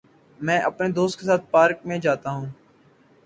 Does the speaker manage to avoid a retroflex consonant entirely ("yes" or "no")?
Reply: yes